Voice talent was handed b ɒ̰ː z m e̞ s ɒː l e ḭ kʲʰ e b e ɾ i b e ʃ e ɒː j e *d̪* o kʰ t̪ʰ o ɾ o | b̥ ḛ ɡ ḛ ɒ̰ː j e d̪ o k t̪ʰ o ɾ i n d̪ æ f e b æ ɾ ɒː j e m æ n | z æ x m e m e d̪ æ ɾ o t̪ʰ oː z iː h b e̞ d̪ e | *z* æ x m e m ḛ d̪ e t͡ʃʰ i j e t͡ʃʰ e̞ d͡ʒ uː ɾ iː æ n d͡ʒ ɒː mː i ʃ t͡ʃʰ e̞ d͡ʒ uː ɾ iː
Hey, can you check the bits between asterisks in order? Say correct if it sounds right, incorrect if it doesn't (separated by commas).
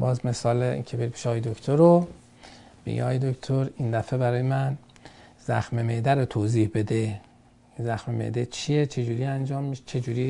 correct, correct